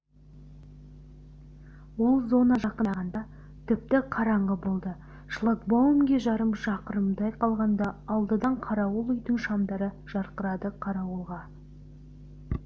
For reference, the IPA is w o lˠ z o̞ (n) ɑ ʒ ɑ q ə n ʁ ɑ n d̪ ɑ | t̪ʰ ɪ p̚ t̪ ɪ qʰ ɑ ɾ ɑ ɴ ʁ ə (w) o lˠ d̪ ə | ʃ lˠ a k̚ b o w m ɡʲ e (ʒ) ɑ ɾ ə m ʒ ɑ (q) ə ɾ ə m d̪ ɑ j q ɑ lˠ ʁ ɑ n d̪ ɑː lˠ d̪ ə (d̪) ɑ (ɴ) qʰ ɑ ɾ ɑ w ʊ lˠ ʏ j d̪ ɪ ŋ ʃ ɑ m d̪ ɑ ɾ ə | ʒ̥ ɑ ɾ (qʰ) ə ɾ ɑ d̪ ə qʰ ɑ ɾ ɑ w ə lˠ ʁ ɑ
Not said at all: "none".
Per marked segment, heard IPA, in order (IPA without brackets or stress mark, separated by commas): n, b, ʒ, q, d̪, ɴ, q